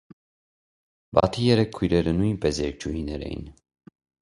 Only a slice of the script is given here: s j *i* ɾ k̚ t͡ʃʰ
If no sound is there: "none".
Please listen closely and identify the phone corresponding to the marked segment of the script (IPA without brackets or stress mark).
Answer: ɛ